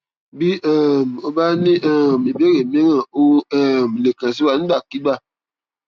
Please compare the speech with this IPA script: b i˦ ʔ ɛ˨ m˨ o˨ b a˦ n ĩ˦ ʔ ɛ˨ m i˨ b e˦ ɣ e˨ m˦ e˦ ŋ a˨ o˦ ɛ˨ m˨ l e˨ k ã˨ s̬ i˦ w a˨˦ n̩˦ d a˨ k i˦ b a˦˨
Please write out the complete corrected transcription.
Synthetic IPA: b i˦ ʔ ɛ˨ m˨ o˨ b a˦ n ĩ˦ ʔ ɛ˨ m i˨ b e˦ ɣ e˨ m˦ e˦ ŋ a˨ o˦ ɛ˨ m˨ l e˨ k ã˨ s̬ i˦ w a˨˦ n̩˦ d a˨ k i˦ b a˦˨